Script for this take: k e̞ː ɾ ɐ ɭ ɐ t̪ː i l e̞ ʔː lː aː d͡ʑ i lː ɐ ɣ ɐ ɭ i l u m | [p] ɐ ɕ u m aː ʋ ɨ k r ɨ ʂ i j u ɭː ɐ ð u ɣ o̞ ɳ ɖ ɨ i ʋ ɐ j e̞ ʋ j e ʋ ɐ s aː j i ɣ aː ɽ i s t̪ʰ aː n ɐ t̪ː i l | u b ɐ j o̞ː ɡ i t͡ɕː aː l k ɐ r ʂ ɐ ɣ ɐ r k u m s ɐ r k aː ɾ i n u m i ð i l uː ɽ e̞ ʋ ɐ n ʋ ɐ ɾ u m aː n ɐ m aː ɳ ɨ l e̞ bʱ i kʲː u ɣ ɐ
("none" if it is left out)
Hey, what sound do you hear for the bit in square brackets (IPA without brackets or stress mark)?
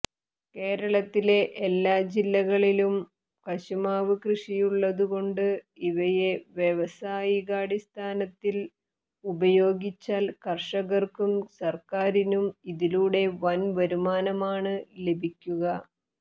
k